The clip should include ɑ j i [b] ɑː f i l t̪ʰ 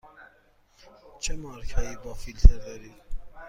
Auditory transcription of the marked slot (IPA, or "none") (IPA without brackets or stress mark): b